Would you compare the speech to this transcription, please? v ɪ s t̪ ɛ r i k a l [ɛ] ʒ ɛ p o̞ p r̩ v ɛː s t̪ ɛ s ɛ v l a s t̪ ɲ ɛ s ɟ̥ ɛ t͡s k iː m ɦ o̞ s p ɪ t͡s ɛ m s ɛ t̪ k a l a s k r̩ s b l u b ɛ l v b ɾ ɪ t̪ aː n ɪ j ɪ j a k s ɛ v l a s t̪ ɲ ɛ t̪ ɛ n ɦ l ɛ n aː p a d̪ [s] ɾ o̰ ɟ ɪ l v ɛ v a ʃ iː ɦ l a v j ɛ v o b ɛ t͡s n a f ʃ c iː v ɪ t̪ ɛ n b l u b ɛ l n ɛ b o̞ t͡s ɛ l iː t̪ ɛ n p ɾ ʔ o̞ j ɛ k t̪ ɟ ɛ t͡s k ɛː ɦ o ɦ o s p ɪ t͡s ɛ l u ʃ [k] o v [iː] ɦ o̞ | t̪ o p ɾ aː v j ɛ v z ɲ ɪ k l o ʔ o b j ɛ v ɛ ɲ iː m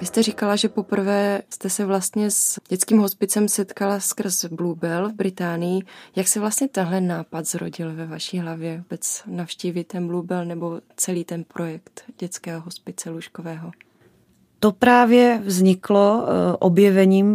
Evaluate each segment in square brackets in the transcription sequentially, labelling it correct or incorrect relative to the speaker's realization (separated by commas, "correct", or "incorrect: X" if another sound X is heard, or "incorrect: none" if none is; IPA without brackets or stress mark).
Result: incorrect: a, incorrect: z, correct, incorrect: ɛː